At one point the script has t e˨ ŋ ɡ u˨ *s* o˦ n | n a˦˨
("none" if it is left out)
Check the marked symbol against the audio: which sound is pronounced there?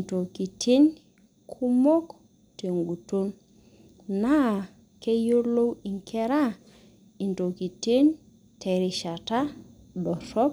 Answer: t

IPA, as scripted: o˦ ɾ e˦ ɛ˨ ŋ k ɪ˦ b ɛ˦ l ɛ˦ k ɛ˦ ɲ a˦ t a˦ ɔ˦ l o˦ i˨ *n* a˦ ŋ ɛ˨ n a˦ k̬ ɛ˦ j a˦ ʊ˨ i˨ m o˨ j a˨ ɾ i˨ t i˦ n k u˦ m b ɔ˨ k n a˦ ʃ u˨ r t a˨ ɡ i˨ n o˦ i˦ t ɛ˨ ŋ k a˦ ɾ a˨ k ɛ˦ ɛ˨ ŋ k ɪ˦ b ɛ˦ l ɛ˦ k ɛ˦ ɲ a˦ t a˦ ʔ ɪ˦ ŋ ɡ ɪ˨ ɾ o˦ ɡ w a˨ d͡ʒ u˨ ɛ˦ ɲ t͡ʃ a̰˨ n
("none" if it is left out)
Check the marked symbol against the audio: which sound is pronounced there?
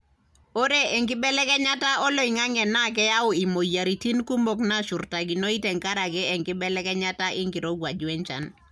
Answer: ŋ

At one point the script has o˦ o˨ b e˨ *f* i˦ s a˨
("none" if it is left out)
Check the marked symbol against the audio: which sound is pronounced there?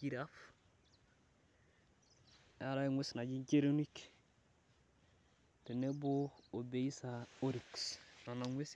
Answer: none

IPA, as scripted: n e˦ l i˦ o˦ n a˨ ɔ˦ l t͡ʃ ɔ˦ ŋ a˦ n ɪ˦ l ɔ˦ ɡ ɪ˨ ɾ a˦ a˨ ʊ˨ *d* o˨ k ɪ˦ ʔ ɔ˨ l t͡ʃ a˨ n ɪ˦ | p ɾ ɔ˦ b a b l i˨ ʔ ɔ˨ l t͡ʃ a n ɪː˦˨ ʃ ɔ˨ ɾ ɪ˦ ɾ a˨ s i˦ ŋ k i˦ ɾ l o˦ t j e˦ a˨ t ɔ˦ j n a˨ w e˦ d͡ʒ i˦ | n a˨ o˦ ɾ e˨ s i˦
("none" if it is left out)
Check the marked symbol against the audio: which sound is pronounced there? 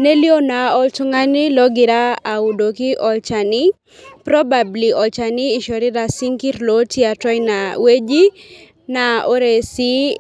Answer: d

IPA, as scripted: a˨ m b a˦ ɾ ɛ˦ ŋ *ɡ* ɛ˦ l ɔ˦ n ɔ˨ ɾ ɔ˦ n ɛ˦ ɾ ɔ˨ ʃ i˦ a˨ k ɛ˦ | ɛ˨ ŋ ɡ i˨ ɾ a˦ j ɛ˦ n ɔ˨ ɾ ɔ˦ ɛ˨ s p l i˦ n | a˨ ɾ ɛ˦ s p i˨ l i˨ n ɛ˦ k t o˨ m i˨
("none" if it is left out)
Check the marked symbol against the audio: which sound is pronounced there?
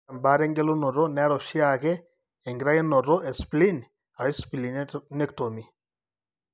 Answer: ɡ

